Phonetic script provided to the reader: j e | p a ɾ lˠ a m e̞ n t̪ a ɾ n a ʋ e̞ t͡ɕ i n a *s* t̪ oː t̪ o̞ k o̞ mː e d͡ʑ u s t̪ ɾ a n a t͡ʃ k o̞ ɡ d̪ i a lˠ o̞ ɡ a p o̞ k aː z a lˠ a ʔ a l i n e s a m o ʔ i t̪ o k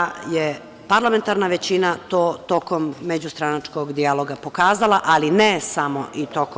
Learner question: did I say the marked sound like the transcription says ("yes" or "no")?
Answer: no